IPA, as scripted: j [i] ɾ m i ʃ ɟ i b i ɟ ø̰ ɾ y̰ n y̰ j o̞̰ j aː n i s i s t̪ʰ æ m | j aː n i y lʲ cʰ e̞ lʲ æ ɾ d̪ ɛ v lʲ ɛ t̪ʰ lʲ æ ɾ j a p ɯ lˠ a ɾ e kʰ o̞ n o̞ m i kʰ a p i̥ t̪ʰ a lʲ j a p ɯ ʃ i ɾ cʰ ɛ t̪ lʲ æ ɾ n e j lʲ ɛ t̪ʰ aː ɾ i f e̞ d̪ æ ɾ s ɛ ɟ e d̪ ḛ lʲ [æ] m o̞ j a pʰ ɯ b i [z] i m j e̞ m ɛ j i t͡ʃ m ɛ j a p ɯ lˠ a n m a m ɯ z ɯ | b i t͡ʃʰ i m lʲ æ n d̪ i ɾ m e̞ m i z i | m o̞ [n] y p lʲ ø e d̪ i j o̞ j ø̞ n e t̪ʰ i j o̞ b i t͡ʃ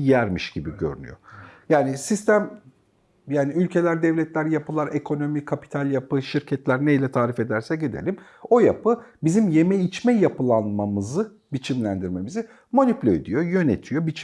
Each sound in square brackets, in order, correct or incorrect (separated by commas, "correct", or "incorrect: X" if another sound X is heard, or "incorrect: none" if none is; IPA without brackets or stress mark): incorrect: æ, incorrect: i, correct, correct